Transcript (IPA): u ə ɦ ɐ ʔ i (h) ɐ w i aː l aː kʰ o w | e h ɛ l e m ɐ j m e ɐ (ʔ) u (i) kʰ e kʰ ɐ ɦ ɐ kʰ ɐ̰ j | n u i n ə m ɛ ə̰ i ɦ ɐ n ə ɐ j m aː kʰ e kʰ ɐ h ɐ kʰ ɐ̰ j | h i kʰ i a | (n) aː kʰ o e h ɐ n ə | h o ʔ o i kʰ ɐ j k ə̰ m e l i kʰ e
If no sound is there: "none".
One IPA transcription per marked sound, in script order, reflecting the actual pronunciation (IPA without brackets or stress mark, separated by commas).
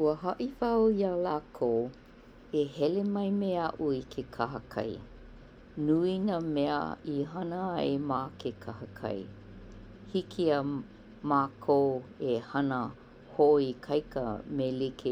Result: f, ʔ, i, m